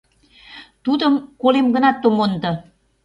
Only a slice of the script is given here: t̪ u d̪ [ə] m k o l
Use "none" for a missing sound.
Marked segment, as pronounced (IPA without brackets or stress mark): ə